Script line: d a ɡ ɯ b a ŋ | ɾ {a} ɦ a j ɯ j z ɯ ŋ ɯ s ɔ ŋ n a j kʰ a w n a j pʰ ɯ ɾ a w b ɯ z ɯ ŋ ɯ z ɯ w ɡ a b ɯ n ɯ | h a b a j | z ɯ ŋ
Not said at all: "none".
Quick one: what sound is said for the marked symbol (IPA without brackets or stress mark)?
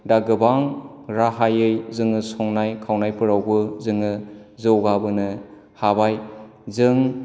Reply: a